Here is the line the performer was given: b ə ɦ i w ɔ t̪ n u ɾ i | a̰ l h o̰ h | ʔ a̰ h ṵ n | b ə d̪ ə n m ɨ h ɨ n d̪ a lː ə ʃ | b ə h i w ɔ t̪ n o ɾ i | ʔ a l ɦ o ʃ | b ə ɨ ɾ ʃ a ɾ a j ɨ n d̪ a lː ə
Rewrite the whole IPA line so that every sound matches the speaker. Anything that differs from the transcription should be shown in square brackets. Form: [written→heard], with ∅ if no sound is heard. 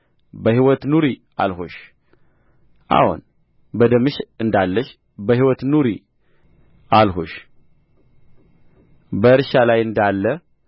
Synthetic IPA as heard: b ə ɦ i w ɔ t̪ n u ɾ i | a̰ l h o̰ [h→ʃ] | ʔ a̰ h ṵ n | b ə d̪ ə [n→∅] m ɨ [h→ʃ] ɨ n d̪ a lː ə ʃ | b ə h i w ɔ t̪ n [o→u] ɾ i | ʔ a l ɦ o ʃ | b ə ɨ ɾ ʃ a [ɾ→l] a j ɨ n d̪ a lː ə